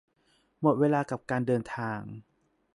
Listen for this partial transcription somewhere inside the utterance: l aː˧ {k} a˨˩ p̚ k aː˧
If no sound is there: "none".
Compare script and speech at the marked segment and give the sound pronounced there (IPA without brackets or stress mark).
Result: k